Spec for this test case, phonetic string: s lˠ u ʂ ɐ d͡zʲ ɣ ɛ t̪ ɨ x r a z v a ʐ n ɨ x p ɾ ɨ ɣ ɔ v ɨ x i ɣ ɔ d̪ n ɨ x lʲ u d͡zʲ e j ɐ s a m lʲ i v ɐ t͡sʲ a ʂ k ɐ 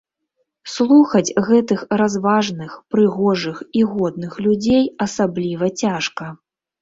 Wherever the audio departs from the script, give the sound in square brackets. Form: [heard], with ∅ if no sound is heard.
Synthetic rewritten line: s lˠ u [x] ɐ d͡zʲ ɣ ɛ t̪ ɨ x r a z v a ʐ n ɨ x p ɾ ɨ ɣ ɔ [ʐ] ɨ x i ɣ ɔ d̪ n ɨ x lʲ u d͡zʲ e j ɐ s a [b] lʲ i v ɐ t͡sʲ a ʂ k ɐ